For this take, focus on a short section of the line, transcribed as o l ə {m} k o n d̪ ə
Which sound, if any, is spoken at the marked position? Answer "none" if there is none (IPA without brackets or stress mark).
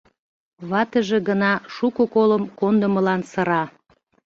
m